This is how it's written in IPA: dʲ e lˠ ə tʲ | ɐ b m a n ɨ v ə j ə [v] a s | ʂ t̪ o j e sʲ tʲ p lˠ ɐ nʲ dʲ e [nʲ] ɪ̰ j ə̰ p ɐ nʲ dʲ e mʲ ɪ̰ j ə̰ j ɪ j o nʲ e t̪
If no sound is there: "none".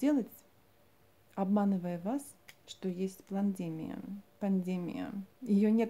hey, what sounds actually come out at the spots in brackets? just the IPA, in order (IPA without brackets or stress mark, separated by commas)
v, mʲ